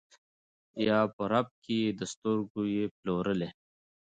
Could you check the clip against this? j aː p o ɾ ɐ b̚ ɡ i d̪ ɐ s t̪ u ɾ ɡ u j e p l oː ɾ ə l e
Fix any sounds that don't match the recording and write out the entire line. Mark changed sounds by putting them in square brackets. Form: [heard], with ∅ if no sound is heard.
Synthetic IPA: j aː p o ɾ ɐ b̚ [k] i d̪ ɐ s t̪ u ɾ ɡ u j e p l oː ɾ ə l e